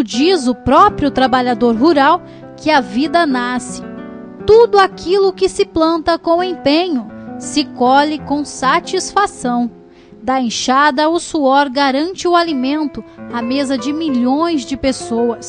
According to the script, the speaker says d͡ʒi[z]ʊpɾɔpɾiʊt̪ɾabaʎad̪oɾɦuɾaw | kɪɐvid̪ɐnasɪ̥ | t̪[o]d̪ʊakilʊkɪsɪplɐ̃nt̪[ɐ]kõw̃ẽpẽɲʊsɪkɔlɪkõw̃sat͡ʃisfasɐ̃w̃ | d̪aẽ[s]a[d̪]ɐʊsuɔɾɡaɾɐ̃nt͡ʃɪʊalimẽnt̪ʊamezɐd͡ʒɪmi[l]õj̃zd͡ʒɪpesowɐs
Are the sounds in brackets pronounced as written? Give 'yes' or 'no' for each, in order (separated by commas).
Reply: yes, no, yes, no, yes, no